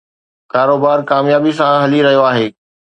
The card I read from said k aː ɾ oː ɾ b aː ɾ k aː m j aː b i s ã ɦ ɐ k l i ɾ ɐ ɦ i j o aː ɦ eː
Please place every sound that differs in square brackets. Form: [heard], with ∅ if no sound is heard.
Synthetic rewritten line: k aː ɾ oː [∅] b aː ɾ k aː m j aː b i s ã ɦ ɐ [∅] l i ɾ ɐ ɦ i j o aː ɦ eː